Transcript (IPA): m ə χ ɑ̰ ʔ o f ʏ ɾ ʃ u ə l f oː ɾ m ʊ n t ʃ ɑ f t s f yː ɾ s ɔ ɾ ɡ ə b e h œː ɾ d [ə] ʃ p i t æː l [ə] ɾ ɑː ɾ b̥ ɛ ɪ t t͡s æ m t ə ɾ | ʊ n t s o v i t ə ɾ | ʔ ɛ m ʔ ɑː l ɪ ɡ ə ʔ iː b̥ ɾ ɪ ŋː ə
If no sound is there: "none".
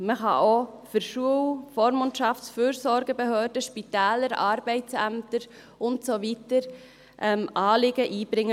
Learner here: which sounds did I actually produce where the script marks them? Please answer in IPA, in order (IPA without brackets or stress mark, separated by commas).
ə, ə